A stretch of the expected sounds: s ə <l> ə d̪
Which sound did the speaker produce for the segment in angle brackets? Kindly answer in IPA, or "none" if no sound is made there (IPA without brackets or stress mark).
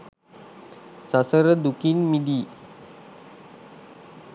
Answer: ɾ